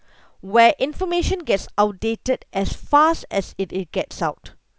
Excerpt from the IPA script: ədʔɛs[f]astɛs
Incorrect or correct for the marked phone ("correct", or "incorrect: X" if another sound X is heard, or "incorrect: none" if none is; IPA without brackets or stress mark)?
correct